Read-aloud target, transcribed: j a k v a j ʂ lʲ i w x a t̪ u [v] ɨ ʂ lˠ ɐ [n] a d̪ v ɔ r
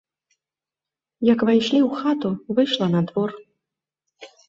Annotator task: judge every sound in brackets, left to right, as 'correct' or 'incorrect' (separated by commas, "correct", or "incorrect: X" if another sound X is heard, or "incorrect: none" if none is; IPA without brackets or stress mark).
correct, correct